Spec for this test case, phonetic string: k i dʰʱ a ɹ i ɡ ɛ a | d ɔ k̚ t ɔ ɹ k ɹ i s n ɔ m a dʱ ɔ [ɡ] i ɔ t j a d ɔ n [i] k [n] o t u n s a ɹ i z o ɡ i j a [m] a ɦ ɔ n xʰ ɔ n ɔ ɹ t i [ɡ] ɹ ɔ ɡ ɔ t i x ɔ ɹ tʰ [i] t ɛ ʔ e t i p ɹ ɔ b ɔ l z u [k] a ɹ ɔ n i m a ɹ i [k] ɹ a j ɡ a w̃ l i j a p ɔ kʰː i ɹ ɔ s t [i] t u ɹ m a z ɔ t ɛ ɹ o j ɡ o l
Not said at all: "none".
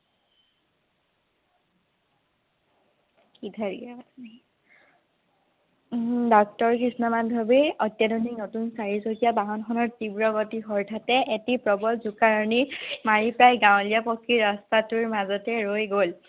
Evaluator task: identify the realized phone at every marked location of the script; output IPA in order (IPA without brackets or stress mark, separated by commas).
b, i, n, b, b, a, k, p, a